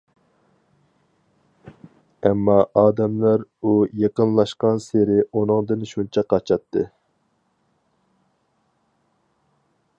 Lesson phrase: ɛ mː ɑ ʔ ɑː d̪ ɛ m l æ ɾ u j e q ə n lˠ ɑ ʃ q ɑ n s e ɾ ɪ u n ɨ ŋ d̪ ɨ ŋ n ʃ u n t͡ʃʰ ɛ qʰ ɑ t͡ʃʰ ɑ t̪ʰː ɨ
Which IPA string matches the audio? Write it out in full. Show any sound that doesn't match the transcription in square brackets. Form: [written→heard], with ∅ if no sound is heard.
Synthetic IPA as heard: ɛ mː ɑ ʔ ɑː d̪ ɛ m l æ ɾ u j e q ə n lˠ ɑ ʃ q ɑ n s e ɾ ɪ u n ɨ ŋ d̪ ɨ [ŋ→∅] n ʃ u n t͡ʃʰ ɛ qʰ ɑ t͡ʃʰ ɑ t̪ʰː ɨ